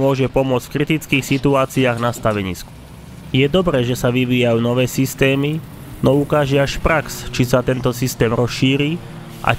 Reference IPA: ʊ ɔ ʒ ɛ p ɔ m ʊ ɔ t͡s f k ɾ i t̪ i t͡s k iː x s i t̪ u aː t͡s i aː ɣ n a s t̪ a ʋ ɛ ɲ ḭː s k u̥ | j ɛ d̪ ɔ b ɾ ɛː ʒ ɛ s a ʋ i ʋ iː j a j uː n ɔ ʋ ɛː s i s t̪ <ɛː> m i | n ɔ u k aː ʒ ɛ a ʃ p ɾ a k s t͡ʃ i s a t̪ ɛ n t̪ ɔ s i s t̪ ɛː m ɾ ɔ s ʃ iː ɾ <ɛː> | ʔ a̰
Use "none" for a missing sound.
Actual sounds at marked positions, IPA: ɛː, iː

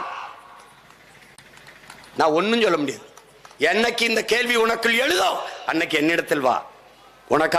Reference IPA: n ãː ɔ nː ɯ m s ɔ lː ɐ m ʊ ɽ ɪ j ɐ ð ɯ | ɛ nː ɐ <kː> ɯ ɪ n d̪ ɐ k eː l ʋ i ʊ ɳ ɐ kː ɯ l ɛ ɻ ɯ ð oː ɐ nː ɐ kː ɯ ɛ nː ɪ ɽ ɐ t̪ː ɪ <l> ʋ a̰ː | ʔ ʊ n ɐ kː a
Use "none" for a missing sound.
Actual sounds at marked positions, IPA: kː, l

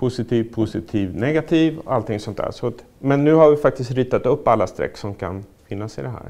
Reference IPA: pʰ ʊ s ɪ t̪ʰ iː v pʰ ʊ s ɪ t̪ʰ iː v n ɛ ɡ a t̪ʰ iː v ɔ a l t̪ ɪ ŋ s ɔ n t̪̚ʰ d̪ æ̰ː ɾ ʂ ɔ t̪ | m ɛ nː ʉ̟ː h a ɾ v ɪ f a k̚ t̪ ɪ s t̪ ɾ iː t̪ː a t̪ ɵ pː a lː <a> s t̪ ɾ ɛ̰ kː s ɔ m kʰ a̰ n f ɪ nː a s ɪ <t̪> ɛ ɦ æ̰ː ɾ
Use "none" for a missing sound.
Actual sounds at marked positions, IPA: a, d̪

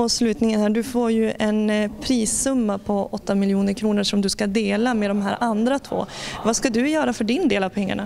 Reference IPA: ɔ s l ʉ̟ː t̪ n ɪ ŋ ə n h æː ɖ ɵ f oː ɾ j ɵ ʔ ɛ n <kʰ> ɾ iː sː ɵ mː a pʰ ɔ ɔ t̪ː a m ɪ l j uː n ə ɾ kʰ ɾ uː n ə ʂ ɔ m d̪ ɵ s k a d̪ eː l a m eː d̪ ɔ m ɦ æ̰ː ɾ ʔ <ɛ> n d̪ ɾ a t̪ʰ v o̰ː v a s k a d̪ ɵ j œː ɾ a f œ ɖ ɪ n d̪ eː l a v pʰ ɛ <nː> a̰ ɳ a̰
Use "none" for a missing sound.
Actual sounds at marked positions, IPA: pʰ, a, ŋː

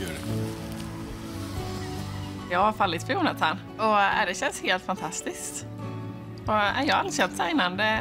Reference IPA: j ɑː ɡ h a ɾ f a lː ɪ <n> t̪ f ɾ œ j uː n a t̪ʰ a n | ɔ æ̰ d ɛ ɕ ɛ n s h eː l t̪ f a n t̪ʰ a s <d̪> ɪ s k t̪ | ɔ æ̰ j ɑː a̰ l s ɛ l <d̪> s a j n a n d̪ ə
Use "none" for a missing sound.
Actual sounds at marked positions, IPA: none, t̪, t̪

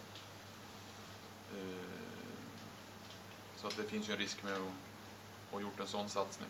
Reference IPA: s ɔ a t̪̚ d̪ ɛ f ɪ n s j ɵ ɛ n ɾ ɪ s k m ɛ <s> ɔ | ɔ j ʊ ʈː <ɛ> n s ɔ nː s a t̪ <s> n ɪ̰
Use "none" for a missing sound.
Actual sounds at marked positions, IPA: none, ɛ, s

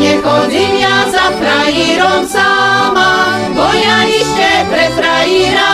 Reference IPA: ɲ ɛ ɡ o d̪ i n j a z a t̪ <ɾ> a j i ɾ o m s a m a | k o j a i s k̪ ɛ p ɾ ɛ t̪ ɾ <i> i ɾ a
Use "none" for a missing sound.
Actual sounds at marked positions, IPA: ɾ, a

